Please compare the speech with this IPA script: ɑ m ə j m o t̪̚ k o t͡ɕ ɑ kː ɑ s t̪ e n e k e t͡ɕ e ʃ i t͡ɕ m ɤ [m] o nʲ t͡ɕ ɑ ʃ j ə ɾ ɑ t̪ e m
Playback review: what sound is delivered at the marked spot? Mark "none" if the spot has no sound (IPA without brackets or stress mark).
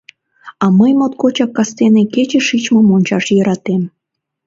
m